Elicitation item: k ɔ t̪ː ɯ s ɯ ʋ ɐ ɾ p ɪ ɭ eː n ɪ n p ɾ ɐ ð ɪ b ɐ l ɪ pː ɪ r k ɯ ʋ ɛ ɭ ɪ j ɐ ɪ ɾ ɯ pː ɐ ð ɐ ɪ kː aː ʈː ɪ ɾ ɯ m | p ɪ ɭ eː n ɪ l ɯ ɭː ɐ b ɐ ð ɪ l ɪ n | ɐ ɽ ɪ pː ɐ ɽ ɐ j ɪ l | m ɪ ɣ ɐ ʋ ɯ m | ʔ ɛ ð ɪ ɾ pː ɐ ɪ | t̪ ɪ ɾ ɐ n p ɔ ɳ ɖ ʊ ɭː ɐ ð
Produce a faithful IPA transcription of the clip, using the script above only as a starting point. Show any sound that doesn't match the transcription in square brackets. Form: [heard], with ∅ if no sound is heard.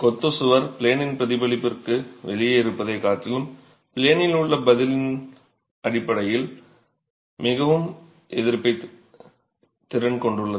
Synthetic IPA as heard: k ɔ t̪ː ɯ s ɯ ʋ ɐ ɾ p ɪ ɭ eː n ɪ n p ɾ ɐ ð ɪ b ɐ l ɪ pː ɪ r k ɯ ʋ ɛ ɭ ɪ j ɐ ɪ ɾ ɯ pː ɐ ð ɐ ɪ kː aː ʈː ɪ [l] ɯ m | p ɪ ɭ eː n ɪ l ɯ ɭː ɐ b ɐ ð ɪ l ɪ n | ɐ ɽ ɪ pː ɐ ɽ ɐ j ɪ l | m ɪ ɣ ɐ ʋ ɯ m | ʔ ɛ ð ɪ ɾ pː ɐ ɪ | t̪ ɪ ɾ ɐ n [k] ɔ ɳ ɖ [ɯ] ɭː ɐ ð